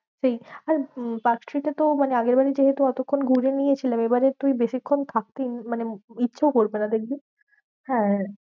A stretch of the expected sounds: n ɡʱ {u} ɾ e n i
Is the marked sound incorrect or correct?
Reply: correct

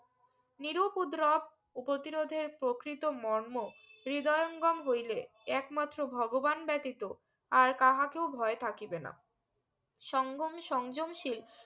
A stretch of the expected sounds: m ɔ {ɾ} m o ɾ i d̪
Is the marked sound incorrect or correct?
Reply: correct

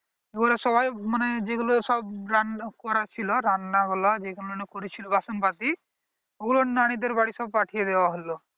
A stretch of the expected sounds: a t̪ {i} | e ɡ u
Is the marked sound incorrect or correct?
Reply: correct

